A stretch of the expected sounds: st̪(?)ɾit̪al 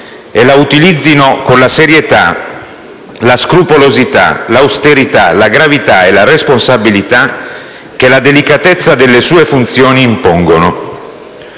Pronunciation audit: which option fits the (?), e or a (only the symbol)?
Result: e